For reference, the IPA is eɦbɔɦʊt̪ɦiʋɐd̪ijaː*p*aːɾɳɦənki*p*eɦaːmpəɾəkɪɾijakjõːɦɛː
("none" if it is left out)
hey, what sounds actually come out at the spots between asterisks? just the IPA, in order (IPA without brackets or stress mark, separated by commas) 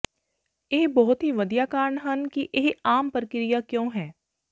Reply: k, ʔ